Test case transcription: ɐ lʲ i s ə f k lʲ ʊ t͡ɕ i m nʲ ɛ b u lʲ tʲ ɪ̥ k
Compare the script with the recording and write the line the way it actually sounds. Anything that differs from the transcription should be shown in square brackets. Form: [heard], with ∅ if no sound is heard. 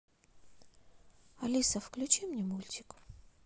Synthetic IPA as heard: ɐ lʲ i s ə f k lʲ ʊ t͡ɕ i m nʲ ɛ [m] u lʲ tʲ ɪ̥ k

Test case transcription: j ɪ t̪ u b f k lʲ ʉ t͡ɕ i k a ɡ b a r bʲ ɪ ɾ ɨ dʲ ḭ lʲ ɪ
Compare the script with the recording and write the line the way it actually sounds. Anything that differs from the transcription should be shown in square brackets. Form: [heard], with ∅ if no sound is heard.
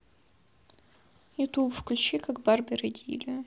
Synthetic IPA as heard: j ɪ t̪ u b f k lʲ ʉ t͡ɕ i k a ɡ b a r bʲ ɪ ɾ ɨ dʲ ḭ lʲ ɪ

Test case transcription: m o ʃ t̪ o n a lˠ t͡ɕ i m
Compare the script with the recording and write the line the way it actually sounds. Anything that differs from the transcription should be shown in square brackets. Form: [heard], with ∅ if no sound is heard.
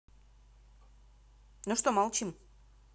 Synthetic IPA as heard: [n] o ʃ t̪ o [m] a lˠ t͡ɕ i m

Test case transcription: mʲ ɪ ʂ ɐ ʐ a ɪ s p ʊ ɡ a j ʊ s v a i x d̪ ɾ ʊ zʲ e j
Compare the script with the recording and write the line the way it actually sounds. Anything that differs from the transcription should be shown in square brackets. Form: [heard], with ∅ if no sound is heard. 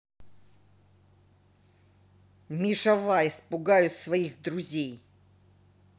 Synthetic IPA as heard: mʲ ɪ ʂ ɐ [v] a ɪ s p ʊ ɡ a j ʊ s v [ɐ] i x d̪ ɾ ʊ zʲ e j

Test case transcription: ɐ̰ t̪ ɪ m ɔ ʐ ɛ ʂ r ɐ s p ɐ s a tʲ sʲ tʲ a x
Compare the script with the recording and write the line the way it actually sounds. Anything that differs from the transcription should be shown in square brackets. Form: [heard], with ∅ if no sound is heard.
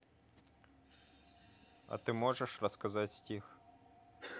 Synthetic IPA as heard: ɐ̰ t̪ ɪ m ɔ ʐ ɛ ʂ r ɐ s [k] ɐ [z] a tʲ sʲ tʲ [i] x

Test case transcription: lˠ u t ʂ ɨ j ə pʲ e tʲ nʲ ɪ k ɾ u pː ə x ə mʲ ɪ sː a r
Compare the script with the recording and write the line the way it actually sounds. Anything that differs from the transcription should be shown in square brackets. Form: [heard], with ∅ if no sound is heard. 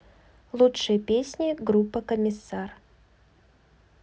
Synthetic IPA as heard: lˠ u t ʂ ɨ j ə pʲ e [sʲ] nʲ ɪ [ɡ] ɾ u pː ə [k] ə mʲ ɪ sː a r

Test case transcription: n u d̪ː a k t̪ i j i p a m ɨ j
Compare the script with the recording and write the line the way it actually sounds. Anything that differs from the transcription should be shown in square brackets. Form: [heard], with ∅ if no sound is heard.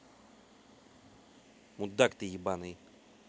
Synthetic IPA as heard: [m] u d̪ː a k t̪ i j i [b] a [n] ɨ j

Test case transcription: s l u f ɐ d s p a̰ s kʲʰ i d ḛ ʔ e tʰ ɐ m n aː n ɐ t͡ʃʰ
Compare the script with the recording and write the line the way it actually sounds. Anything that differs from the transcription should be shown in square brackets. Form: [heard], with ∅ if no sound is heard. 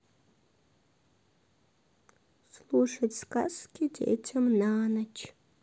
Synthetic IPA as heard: s l u [ʂ] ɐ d s [k] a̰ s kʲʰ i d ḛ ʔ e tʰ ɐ m n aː n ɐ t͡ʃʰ

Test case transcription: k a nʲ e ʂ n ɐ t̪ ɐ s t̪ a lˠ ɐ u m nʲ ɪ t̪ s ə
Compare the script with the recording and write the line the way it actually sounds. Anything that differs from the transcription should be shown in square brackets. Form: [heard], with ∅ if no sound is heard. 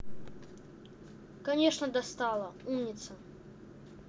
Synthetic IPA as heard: k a nʲ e ʂ n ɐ [d̪] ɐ s t̪ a lˠ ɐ u m nʲ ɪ t̪ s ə

